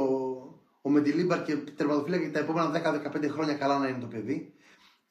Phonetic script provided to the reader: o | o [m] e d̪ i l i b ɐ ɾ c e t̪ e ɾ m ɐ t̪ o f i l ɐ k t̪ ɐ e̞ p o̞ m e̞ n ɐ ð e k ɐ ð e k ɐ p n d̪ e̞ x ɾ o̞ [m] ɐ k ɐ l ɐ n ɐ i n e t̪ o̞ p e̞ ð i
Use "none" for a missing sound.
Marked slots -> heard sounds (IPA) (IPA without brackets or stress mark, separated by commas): m, ɲ